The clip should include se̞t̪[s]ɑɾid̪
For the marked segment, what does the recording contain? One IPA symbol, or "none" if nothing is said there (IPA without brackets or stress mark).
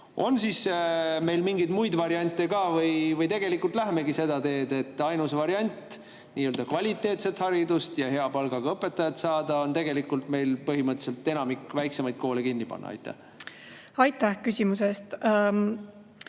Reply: h